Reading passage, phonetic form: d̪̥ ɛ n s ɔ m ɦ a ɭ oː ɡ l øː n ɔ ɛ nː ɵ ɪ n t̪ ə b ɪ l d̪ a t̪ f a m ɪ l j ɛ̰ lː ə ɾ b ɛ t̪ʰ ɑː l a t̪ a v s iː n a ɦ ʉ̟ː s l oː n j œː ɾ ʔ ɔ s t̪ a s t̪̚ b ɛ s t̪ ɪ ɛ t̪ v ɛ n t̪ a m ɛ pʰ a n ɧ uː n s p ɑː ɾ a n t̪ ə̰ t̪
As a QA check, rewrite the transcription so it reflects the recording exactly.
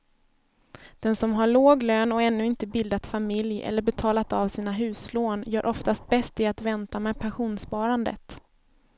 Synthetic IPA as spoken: d̪̥ ɛ n s ɔ m ɦ a ɭ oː ɡ l øː n ɔ ɛ nː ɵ ɪ n t̪ ə b ɪ l d̪ a t̪ f a m ɪ l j ɛ̰ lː ə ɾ b ɛ t̪ʰ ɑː l a t̪ a v s iː n a ɦ ʉ̟ː s l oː n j œː ɾ ʔ ɔ f t̪ a s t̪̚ b ɛ s t̪ ɪ a t̪ v ɛ n t̪ a m ɛ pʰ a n ɧ uː n s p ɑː ɾ a n d̪ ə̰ t̪

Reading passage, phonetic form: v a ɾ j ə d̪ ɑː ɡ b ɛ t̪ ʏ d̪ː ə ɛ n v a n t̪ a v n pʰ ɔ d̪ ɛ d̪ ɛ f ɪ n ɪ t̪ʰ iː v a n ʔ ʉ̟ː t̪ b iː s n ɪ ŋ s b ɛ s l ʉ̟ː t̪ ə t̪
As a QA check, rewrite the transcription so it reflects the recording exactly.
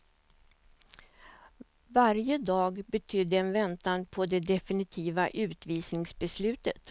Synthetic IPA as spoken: v a ɾ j ə d̪ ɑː ɡ b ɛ t̪ʰ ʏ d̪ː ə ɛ n v ɛ n t̪ a n pʰ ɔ d̪ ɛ d̪ ɛ f ɪ n ɪ t̪ʰ iː v a ʔ ʉ̟ː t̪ v iː s n ɪ ŋ s b ɛ s l ʉ̟ː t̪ ə t̪

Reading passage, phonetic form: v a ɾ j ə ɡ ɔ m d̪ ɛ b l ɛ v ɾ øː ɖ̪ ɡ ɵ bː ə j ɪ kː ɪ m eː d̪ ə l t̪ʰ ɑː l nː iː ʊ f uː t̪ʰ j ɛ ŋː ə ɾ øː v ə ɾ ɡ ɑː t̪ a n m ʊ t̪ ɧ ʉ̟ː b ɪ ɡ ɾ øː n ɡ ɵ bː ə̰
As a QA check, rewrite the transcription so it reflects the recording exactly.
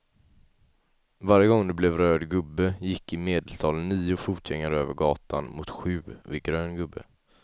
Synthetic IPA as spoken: v a ɾ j ə ɡ ɔ ŋ d̪ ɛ b l ɛ v ɾ øː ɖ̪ ɡ ɵ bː ə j ɪ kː ɪ m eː d̪ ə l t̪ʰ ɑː l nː iː ʊ f uː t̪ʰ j ɛ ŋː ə ɾ øː v ə ɾ ɡ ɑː t̪ a n m ʊ t̪ ɧ ʉ̟ː v ɪ ɡ ɾ øː n ɡ ɵ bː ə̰

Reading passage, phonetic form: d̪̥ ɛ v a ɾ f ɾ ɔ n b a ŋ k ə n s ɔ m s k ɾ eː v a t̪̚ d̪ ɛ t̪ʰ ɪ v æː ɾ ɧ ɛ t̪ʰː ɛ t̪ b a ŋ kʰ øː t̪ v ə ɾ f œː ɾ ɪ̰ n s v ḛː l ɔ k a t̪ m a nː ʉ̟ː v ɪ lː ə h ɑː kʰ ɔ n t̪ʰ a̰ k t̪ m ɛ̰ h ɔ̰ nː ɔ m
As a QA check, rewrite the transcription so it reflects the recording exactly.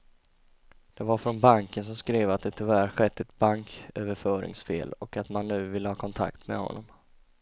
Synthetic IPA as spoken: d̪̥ ɛ v a ɾ f ɾ ɔ n b a ŋ k ə n s ɔ m s k ɾ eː v a t̪̚ d̪ ɛ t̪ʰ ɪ v æː ɾ ɧ ɛ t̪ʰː ɛ t̪ b a ŋ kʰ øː v ə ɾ f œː ɾ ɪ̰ ŋ s f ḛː l ɔ k a t̪ m a nː ʉ̟ː v ɪ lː ə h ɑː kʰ ɔ n t̪ʰ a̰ k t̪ m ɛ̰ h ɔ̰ nː ɔ m

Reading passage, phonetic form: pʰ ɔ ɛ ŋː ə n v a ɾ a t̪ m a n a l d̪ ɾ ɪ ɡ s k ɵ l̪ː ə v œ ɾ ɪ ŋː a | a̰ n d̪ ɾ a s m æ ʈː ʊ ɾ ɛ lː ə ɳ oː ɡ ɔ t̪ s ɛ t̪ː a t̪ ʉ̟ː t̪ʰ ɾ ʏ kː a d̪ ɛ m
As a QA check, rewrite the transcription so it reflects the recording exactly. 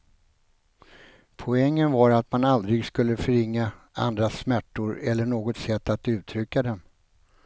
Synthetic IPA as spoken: pʰ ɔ ɛ ŋː ə n v a ɾ a t̪ m a n a l d̪ ɾ ɪ ɡ s k ɵ l̪ː ə f œ ɾ ɪ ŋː a | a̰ n d̪ ɾ a s m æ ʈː ʊ ɾ ɛ lː ə ɳ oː ɡ ɔ t̪ s ɛ t̪ː a t̪ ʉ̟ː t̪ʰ ɾ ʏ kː a d̪ ɛ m

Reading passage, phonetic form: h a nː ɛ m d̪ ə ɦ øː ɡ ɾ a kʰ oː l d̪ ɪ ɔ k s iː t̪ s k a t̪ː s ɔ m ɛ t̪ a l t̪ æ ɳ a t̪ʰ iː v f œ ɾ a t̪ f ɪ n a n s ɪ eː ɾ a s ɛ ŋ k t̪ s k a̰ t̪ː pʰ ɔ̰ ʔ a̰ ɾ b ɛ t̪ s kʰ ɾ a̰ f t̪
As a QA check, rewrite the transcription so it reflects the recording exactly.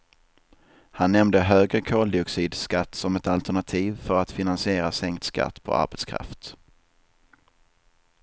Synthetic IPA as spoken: h a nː ɛ m d̪ ə ɦ øː ɡ ɾ ə kʰ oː l d̪ ɪ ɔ k s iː d̪ s k a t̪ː s ɔ m ɛ t̪ a l t̪ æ ɳ a t̪ʰ iː v f œ ɾ a t̪ f ɪ n a n s ɪ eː ɾ a s ɛ ŋ k t̪ s k a̰ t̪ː pʰ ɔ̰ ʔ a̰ ɾ b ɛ t̪ s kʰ ɾ a̰ f t̪

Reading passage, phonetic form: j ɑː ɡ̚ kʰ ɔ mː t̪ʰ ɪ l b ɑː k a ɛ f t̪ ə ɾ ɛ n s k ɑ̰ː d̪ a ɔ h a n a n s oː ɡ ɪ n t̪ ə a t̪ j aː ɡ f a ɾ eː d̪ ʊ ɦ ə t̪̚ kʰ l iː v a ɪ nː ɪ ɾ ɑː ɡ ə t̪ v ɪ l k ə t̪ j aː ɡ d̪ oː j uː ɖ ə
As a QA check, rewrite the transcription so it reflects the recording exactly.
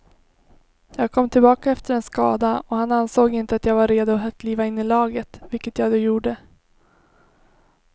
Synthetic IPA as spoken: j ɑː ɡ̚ kʰ ɔ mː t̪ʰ ɪ l b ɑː k a ɛ f t̪ ə ɾ ɛ n s k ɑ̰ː d̪ a ɔ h a n a n s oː ɡ ɪ n t̪ ə a t̪ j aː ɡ v a ɾ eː d̪ ʊ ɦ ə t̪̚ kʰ l iː v a ɪ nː ɪ l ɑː ɡ ə t̪ v ɪ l k ə t̪ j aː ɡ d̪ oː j uː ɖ ə

